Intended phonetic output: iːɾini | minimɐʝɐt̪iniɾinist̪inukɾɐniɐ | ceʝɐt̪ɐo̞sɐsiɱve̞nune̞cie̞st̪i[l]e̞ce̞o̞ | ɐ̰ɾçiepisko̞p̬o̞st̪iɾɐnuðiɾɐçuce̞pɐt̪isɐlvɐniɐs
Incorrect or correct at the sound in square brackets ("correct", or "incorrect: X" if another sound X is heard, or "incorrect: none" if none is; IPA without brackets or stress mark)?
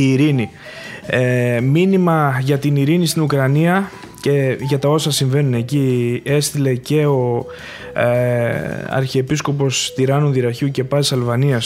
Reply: correct